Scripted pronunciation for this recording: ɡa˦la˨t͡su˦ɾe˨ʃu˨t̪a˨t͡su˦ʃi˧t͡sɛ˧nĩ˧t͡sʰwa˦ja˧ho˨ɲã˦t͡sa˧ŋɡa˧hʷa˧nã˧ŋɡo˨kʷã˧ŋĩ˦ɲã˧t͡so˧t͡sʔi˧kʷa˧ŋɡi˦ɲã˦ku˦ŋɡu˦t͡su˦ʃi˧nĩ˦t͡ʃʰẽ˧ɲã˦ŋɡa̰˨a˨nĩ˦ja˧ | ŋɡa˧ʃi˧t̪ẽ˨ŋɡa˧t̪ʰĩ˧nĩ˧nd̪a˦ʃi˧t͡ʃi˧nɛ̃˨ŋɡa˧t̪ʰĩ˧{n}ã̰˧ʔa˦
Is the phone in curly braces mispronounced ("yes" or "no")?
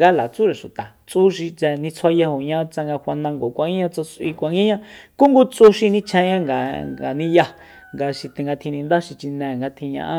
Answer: yes